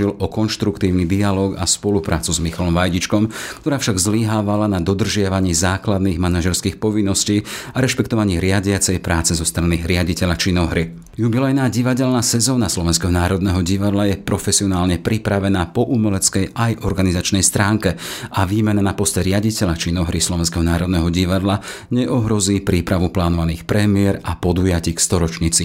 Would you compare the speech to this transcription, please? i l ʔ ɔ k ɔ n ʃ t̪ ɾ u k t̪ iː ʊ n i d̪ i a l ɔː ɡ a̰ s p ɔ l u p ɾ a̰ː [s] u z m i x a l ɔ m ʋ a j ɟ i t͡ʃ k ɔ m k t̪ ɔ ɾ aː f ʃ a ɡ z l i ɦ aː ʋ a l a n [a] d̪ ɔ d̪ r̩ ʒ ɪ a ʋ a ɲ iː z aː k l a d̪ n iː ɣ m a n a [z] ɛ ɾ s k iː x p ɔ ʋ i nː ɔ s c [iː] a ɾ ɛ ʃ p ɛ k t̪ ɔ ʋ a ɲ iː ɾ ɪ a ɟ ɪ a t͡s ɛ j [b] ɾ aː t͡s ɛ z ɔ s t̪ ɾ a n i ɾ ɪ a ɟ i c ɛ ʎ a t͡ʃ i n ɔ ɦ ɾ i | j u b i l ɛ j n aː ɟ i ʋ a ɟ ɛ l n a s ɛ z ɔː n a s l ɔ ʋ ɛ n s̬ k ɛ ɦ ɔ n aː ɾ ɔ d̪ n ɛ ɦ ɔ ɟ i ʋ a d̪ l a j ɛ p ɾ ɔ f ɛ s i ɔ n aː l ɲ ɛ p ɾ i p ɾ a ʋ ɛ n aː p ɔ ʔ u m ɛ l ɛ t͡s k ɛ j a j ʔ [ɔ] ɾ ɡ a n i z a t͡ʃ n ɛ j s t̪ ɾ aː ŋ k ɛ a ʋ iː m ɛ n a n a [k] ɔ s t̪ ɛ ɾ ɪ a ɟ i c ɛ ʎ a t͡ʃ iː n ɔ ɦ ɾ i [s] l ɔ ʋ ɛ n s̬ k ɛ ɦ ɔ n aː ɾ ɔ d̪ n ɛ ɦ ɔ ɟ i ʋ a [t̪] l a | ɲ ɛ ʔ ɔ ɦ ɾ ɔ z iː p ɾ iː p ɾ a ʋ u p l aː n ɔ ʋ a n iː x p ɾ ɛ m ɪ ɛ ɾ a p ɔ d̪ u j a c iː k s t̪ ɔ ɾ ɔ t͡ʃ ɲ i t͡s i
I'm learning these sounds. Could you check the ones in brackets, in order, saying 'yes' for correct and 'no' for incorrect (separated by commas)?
no, yes, no, yes, no, yes, no, yes, no